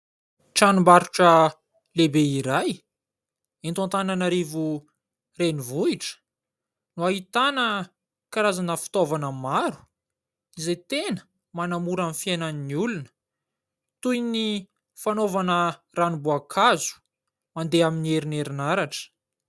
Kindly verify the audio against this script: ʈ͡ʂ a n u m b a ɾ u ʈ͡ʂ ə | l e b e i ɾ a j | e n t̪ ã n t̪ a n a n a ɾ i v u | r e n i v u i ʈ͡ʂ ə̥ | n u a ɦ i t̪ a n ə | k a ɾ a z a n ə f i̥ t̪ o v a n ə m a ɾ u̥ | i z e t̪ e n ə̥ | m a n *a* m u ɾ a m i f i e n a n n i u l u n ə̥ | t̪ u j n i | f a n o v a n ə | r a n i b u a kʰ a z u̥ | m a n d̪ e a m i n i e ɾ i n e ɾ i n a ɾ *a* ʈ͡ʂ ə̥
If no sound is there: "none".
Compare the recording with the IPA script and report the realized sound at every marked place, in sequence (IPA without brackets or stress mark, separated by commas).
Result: a, a